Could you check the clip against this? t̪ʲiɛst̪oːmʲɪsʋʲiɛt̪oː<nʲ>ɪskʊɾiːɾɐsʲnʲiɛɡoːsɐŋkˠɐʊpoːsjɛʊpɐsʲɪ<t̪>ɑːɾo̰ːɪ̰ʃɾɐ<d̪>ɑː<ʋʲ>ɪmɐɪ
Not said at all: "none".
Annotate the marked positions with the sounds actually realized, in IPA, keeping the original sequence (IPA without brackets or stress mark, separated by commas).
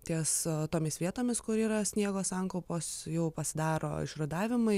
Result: mʲ, d̪, d̪, ʋʲ